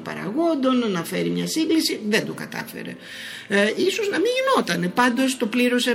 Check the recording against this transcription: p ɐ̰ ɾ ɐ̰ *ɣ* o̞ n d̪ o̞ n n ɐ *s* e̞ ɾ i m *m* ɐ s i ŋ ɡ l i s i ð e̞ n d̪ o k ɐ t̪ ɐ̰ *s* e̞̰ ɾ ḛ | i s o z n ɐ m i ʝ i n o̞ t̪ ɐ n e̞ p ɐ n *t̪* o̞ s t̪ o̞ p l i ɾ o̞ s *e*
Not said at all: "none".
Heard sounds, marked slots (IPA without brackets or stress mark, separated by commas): ɣ, f, ɲ, f, d̪, e